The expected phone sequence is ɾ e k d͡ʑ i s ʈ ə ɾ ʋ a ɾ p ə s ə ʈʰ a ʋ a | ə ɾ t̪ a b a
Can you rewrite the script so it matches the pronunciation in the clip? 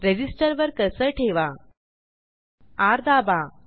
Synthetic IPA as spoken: ɾ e d͡ʑ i s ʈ ə ɾ ʋ ə ɾ k ə s ə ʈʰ e ʋ a | a ɾ d̪ a b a